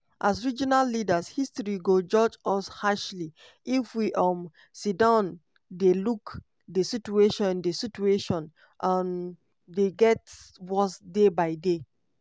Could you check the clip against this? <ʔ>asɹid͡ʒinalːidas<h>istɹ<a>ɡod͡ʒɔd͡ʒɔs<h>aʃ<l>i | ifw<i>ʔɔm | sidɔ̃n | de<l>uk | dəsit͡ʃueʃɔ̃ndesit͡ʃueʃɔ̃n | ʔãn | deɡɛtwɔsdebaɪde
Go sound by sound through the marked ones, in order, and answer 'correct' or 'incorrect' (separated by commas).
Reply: correct, correct, incorrect, correct, correct, correct, correct